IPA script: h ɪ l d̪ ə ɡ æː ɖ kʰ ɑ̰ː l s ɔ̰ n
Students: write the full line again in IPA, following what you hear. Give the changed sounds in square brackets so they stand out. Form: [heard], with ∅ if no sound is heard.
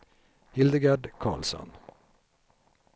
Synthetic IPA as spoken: h ɪ l d̪ ə ɡ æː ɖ kʰ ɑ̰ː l s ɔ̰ n